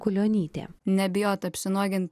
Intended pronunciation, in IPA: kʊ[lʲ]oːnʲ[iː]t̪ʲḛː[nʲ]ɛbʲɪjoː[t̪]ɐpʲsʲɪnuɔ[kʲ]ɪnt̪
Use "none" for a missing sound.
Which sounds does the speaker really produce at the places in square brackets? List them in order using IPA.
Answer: lʲ, iː, nʲ, t̪, ɡʲ

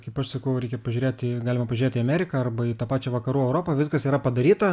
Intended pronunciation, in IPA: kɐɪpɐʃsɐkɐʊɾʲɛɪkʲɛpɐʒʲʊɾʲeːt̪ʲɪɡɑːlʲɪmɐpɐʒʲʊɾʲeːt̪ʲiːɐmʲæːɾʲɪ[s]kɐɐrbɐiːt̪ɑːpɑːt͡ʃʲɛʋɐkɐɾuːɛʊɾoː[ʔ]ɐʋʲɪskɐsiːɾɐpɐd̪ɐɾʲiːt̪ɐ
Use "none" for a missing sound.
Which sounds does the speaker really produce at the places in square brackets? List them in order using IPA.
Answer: none, p

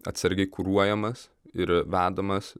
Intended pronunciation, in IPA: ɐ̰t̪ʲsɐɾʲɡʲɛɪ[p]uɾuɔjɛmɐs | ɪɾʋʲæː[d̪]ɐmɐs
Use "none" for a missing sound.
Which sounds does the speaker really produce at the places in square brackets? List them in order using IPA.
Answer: k, d̪

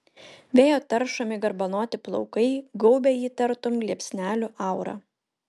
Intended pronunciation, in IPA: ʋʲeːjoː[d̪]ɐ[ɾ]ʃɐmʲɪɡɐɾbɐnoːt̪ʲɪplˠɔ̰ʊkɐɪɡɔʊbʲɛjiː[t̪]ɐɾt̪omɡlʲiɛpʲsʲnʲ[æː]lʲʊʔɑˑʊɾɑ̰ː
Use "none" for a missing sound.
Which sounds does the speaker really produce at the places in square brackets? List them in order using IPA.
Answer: t̪, ɾ, t̪, æː

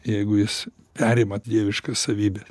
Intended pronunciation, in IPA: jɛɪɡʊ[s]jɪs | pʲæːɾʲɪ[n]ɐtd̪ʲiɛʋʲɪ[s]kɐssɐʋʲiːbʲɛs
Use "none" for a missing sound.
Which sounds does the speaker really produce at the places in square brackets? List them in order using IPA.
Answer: none, m, ʃ

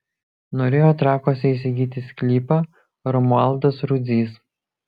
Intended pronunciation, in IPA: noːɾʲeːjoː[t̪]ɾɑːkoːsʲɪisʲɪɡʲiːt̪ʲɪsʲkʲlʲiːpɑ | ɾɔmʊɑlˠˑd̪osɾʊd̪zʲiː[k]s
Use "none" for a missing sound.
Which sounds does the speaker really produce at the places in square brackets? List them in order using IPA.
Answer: t̪, none

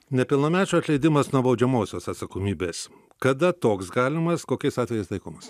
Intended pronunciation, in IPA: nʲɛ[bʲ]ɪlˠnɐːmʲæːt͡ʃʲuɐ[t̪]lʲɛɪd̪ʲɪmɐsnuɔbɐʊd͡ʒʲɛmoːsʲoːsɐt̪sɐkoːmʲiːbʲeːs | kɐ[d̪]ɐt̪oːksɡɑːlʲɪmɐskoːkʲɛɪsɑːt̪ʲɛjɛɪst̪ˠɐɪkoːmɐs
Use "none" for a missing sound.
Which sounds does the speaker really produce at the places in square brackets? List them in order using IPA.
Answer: pʲ, t̪, d̪

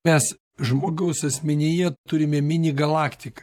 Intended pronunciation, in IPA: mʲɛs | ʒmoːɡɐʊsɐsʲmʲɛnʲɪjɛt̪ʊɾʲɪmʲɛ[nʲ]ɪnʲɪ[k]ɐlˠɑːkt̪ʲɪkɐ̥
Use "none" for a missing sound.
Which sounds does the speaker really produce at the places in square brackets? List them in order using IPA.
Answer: mʲ, ɡ

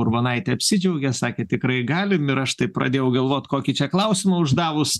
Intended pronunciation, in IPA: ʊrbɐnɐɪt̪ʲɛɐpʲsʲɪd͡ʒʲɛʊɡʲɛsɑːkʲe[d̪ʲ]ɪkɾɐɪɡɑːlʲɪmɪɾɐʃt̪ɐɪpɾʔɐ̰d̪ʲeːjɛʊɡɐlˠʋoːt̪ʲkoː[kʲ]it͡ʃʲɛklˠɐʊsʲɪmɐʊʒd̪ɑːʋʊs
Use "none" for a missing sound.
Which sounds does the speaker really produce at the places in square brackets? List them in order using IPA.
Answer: t̪ʲ, kʲ

